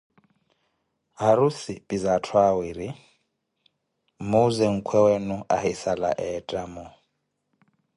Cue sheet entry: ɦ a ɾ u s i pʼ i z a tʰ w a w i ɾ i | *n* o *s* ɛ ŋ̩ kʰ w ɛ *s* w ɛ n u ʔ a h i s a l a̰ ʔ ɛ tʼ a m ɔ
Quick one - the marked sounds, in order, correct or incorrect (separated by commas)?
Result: incorrect, incorrect, incorrect